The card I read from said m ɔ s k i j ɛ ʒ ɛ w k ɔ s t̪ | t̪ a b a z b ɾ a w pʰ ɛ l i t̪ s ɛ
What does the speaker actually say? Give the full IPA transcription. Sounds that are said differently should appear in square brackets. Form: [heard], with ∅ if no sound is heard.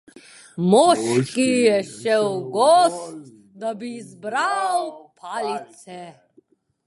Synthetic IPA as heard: m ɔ [ʃ] k i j ɛ [ʃ] ɛ w [ɡ] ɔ s t̪ | [d̪] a b [i] z b ɾ a w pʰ [a] l i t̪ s ɛ

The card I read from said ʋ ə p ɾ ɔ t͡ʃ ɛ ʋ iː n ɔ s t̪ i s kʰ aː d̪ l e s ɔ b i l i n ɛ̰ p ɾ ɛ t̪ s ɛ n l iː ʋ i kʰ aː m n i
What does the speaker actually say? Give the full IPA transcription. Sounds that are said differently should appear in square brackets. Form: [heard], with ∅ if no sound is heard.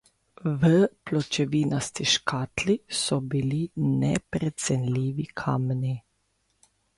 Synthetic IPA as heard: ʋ ə p [l] ɔ t͡ʃ ɛ ʋ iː n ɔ s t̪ i [ʃ] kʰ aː [t̪] l [i] s ɔ b i l i n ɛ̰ p ɾ ɛ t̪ s ɛ n l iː ʋ i kʰ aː m n i

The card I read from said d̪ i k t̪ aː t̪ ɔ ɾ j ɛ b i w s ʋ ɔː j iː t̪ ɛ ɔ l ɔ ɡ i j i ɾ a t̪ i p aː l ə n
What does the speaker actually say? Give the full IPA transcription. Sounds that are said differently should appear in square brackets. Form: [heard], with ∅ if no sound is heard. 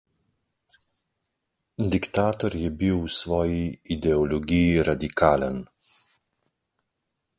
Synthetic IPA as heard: d̪ i k t̪ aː t̪ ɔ ɾ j ɛ b i w s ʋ ɔː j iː [d̪] ɛ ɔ l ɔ ɡ i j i ɾ a [d̪] i [k] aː l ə n

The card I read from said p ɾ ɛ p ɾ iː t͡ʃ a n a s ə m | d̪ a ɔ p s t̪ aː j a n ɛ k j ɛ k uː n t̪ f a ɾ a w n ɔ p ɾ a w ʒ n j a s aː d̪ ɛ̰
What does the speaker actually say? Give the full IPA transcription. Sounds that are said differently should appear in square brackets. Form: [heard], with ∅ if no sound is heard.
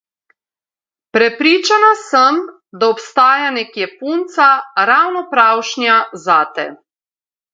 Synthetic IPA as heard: p ɾ ɛ p ɾ iː t͡ʃ a n a s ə m | d̪ a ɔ p s t̪ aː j a n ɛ k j ɛ [p] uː n t̪ [s] a ɾ a w n ɔ p ɾ a w [ʃ] n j a [z] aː [t̪] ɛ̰

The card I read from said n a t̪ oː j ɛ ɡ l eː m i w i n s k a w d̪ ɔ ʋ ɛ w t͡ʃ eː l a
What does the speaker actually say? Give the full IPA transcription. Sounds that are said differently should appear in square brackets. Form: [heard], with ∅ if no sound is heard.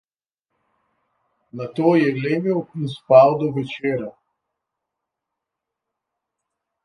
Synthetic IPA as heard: n a t̪ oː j ɛ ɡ l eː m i w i n s [p] a w d̪ ɔ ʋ ɛ [∅] t͡ʃ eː [ɾ] a

